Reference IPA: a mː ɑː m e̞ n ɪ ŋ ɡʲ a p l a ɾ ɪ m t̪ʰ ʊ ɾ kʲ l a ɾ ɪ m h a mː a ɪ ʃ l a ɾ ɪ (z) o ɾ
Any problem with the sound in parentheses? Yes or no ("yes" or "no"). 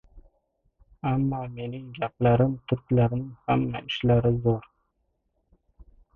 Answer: no